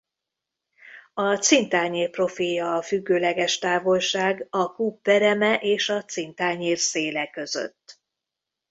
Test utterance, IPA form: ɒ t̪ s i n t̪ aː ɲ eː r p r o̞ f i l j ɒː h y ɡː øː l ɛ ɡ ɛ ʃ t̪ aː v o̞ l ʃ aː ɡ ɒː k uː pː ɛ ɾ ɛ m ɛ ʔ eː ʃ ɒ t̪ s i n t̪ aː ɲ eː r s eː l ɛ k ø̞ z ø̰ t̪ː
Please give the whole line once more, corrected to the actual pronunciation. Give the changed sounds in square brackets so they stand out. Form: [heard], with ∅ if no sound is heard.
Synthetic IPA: ɒ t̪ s i n t̪ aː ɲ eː r p r o̞ f i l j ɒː [f] y ɡː øː l ɛ ɡ ɛ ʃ t̪ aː v o̞ l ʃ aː ɡ [ɒ] k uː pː ɛ ɾ ɛ m ɛ ʔ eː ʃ ɒ t̪ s i n t̪ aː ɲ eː r s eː l ɛ k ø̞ z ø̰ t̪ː